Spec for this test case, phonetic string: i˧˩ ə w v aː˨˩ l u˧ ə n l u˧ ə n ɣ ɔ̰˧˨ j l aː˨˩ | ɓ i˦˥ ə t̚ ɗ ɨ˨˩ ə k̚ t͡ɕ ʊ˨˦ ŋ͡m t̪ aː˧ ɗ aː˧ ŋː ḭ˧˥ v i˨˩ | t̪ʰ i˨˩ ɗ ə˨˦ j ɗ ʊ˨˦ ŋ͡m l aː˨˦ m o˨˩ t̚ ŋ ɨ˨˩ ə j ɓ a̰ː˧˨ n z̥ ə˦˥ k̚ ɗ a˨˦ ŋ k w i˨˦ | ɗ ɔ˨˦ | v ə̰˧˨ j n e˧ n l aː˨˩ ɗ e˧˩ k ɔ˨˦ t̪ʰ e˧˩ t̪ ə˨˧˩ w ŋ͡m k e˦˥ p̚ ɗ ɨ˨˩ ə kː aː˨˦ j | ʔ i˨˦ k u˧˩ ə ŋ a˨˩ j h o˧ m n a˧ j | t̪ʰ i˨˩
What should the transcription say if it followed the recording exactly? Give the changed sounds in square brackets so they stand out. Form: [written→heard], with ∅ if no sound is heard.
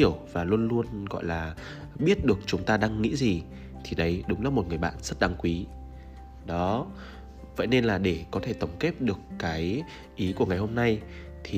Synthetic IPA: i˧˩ ə w v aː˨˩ l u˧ ə n l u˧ ə n ɣ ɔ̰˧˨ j l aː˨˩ | ɓ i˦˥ ə t̚ ɗ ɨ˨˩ ə k̚ t͡ɕ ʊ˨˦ ŋ͡m t̪ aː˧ ɗ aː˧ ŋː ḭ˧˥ [v→z] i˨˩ | t̪ʰ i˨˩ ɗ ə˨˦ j ɗ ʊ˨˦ ŋ͡m l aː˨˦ m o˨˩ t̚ ŋ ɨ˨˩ ə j ɓ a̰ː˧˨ n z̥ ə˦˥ [k̚→t̚] ɗ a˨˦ ŋ k w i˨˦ | ɗ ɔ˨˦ | v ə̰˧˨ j n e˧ n l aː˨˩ ɗ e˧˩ k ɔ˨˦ t̪ʰ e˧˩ t̪ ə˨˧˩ w ŋ͡m k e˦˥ p̚ ɗ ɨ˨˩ ə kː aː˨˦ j | ʔ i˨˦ k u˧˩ ə ŋ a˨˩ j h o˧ m n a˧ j | t̪ʰ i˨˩